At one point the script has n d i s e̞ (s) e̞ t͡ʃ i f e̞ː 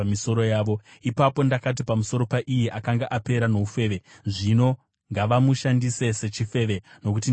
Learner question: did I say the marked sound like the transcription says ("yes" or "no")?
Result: yes